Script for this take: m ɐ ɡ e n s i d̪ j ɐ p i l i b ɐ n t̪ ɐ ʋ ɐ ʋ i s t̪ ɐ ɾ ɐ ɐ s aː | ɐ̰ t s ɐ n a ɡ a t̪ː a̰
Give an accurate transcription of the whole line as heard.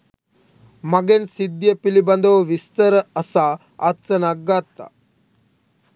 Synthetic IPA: m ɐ ɡ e n s i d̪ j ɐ p i l i b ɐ n d̪ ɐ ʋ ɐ ʋ i s t̪ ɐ ɾ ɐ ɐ s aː | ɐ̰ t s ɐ n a ɡ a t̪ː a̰